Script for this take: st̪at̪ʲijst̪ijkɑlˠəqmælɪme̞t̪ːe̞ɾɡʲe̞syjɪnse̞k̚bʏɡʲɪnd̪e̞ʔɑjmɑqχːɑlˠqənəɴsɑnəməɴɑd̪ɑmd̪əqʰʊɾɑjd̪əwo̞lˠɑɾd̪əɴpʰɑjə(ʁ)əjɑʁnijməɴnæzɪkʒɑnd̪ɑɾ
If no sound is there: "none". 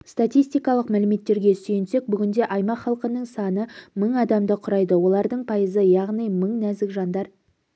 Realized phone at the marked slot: z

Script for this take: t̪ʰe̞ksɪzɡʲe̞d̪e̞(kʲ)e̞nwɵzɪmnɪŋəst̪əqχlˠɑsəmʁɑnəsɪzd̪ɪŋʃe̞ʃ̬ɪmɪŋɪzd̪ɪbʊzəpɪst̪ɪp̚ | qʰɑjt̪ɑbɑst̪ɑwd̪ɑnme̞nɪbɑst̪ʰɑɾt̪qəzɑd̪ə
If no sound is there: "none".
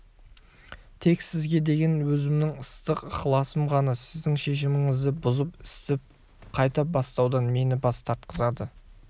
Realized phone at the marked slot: ɡʲ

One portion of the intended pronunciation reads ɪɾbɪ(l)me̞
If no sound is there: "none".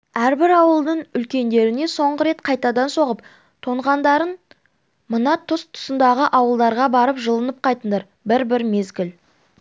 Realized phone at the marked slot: ɾ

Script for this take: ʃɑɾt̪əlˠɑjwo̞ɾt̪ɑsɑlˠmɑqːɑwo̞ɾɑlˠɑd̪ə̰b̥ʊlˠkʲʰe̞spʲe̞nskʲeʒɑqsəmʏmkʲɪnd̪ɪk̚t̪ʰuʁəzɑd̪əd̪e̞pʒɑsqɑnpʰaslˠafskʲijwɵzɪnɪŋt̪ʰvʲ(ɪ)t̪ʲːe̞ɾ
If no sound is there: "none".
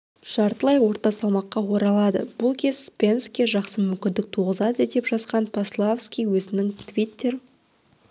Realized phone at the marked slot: i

